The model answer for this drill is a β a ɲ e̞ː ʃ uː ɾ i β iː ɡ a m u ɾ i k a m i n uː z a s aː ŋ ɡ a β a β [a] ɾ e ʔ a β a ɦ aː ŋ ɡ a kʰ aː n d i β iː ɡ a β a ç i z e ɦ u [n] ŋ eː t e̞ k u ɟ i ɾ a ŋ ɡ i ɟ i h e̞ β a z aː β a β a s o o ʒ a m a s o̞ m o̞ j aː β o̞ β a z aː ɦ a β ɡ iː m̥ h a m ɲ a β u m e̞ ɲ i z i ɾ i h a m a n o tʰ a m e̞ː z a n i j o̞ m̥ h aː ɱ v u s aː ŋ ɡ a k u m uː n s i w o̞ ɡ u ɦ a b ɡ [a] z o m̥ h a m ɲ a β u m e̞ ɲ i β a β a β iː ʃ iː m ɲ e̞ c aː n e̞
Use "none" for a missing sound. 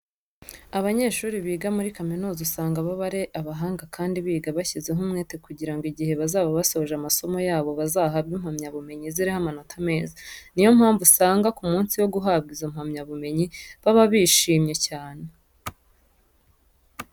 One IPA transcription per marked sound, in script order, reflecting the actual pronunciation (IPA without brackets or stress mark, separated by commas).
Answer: a, m, i